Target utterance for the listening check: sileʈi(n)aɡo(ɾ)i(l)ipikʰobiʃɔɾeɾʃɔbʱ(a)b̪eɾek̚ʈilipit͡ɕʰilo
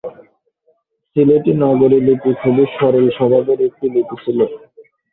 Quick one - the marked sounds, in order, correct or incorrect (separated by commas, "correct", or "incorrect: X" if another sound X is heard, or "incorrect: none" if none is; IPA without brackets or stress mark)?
correct, correct, correct, correct